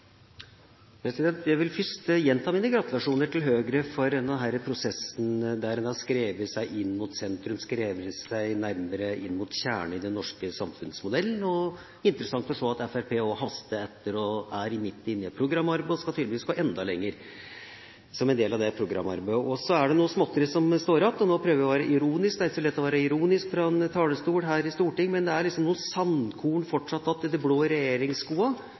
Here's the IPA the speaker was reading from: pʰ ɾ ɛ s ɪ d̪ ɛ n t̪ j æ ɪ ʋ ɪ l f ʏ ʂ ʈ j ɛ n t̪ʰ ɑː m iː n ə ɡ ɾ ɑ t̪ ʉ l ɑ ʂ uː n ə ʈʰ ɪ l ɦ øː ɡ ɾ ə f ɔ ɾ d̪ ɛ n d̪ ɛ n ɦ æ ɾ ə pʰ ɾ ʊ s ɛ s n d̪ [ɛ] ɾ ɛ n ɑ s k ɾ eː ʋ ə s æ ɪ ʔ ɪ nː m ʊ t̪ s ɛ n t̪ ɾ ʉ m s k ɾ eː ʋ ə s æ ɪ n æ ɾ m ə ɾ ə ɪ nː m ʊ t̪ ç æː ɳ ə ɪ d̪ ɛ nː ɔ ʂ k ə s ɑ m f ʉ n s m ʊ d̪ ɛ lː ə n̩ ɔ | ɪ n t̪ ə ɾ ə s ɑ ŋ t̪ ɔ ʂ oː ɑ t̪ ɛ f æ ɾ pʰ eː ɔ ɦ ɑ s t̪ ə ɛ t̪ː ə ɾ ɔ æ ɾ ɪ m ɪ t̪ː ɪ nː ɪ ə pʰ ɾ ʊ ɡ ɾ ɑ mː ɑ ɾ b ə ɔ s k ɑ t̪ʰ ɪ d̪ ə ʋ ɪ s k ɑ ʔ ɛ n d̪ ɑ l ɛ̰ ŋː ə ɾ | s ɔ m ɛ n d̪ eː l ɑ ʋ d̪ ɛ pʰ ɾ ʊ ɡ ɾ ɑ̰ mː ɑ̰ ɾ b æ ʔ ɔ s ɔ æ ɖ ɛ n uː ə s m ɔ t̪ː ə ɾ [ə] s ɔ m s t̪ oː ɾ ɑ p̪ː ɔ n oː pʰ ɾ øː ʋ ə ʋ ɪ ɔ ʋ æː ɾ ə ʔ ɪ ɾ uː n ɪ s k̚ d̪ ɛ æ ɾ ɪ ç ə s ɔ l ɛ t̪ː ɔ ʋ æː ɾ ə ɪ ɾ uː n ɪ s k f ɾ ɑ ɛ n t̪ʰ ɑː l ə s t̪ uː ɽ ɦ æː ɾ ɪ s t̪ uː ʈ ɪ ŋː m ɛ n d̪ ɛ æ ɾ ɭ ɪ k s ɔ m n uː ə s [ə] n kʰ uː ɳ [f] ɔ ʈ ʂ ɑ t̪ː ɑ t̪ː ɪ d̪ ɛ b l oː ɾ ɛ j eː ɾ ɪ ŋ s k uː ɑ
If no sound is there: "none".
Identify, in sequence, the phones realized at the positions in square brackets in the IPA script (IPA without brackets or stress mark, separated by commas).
æ, ə, ɑ, f